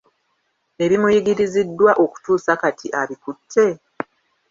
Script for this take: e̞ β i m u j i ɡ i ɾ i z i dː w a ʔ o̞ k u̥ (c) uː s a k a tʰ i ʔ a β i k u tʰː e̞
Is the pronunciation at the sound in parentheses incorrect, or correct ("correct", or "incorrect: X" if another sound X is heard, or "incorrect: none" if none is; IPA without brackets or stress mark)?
incorrect: t